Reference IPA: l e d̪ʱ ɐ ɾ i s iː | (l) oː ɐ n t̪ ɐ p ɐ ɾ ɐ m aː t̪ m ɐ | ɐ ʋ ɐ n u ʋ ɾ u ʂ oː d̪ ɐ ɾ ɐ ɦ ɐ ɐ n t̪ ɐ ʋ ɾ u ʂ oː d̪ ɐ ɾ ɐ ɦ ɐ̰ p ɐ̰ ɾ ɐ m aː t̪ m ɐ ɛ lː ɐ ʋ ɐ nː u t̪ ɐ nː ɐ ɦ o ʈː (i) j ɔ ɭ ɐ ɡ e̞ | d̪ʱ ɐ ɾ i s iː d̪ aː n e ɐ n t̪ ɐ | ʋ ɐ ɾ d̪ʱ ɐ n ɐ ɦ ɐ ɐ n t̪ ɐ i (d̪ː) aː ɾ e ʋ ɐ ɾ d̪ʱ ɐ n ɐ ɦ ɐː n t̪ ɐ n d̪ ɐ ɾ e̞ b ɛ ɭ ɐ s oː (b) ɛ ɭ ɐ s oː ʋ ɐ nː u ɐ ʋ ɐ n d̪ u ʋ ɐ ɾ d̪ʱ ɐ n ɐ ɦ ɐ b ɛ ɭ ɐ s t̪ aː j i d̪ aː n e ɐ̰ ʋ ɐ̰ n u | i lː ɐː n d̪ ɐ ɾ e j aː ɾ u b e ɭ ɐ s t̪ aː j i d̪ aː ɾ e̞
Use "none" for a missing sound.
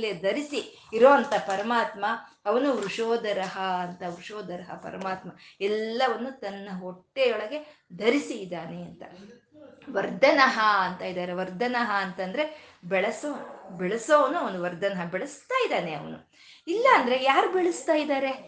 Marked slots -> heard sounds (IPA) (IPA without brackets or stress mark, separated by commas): ɾ, e, d̪, b